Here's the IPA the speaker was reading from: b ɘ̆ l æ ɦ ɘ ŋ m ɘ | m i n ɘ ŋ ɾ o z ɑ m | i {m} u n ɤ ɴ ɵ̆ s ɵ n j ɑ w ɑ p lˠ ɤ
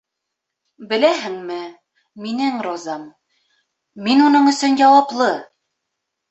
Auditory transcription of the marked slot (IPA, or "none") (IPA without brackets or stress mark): n